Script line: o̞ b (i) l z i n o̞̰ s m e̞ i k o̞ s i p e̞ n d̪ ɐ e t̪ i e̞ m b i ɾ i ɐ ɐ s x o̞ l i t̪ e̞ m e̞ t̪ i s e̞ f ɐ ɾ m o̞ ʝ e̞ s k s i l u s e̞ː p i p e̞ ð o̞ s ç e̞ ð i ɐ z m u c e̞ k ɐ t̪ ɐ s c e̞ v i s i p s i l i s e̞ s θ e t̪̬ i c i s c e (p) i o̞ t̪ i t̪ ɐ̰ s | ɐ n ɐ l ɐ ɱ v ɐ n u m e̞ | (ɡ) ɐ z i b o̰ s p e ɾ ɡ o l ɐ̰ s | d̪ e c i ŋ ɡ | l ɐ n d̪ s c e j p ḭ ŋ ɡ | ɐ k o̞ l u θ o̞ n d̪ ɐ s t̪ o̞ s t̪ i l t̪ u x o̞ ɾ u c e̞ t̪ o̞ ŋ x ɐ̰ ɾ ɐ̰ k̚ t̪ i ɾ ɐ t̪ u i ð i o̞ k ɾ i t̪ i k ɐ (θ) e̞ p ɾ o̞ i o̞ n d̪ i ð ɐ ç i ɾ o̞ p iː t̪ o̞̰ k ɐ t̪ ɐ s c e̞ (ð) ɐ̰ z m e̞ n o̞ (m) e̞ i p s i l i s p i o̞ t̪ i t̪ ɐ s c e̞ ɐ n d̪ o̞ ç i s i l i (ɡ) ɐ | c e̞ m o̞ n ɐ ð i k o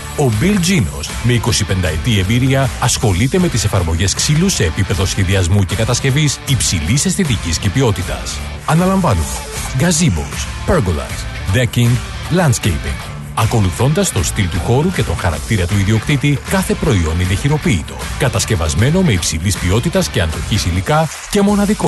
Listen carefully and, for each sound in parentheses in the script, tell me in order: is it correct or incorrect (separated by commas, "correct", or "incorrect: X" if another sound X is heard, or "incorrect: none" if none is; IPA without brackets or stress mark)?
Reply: correct, correct, correct, correct, incorrect: v, correct, incorrect: k